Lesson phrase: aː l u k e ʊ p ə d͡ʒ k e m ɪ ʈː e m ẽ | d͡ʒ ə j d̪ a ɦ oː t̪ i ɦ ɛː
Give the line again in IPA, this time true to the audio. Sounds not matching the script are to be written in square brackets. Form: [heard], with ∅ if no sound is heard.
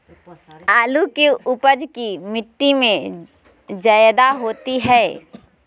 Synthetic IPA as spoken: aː l u k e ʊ p ə d͡ʒ k [i] m ɪ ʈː [i] m ẽ | d͡ʒ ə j d̪ a ɦ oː t̪ i ɦ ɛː

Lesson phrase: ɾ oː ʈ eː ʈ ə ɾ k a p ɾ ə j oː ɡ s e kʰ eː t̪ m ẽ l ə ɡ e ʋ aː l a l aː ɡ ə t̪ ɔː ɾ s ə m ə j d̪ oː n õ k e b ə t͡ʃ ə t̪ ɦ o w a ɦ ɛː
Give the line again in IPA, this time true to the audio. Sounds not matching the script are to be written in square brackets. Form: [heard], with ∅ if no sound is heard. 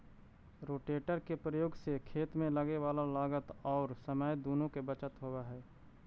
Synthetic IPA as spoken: ɾ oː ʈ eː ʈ ə ɾ k [e] p ɾ ə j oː ɡ s e kʰ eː t̪ m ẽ l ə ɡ e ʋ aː l a l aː ɡ ə t̪ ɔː ɾ s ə m ə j d̪ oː n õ k e b ə t͡ʃ ə t̪ ɦ o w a ɦ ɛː

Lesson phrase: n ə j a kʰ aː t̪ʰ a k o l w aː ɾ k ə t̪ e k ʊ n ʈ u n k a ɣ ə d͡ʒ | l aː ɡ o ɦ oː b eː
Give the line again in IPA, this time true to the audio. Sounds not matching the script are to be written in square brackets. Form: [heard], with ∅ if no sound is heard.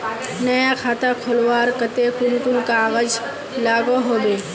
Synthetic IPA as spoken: n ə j a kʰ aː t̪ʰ a [kʰ] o l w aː ɾ k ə t̪ e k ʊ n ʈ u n k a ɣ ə d͡ʒ | l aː ɡ o ɦ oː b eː

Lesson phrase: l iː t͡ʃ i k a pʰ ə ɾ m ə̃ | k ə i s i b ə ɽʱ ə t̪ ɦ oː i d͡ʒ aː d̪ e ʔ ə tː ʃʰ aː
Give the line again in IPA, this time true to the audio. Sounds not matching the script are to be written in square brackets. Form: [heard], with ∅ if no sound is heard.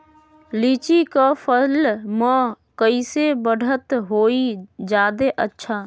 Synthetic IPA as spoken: l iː t͡ʃ i k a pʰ ə [l] m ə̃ | k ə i s [e] b ə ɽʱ ə t̪ ɦ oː i d͡ʒ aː d̪ e ʔ ə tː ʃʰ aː

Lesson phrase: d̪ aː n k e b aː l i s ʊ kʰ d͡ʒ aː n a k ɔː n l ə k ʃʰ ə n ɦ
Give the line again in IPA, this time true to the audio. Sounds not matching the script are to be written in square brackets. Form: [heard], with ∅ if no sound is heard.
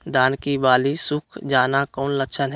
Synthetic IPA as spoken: d̪ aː n k [i] b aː l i s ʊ kʰ d͡ʒ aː n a k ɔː n l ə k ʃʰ ə n ɦ

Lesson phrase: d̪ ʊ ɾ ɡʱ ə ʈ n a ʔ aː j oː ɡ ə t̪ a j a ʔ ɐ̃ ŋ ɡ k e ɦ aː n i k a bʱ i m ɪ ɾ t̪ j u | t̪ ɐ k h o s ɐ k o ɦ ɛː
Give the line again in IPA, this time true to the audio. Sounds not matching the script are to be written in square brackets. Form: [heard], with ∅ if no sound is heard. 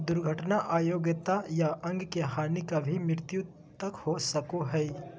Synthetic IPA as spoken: d̪ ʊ ɾ ɡʱ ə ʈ n a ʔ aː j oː ɡ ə t̪ a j a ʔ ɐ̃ ŋ ɡ k e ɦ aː n i k a bʱ i m ɪ ɾ t̪ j u | t̪ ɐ k h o s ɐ k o ɦ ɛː

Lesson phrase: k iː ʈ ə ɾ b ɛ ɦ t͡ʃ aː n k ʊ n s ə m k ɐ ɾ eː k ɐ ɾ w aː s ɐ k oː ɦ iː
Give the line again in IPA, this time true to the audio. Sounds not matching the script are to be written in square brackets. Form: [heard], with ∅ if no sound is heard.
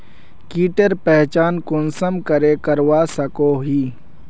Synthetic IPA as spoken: k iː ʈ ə ɾ [p] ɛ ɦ t͡ʃ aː n k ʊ n s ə m k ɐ ɾ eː k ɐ ɾ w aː s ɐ k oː ɦ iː

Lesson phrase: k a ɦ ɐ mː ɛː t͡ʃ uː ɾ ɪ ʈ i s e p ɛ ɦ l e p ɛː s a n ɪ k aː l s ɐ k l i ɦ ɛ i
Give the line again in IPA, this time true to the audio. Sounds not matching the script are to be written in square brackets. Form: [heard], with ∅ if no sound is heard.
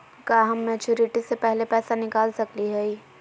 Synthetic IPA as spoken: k a ɦ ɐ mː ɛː t͡ʃ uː ɾ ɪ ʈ i s e p ɛ ɦ l e p ɛː s a n ɪ k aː l s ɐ k l i ɦ ɛ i

